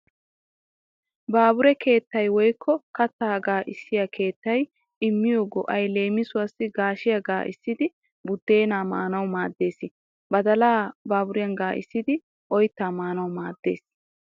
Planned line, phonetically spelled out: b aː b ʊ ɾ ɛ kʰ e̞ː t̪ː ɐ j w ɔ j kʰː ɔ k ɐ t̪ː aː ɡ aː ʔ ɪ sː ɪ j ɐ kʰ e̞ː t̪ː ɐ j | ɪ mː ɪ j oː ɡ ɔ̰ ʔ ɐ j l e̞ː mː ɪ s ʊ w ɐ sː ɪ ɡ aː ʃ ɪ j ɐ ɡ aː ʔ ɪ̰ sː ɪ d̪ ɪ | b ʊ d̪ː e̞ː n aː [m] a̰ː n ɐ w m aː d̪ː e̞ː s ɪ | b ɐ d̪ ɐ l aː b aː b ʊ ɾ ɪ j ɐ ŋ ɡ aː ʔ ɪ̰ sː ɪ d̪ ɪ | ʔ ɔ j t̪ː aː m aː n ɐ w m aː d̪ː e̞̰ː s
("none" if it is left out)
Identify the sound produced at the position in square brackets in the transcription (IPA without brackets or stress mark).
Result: m